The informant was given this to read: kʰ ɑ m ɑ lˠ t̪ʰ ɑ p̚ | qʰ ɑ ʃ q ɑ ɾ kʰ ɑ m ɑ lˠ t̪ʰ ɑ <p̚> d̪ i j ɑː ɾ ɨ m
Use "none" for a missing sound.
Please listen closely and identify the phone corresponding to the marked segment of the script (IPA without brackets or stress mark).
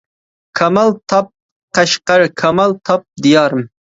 p̚